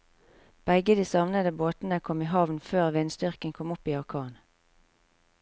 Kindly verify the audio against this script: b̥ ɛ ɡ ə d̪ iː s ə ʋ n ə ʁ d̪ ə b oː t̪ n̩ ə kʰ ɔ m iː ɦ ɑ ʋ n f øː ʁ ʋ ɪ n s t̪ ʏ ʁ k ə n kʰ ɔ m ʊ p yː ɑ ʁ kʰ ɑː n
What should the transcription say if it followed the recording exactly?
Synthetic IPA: b̥ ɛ ɡ ə d̪ iː s ɑ ʋ n ə d̪ ə b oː t̪ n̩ ə kʰ ɔ m iː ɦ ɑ ʋ n f øː ʁ ʋ ɪ n s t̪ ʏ ʁ k ə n kʰ ɔ m ʊ p iː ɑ ʁ kʰ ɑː n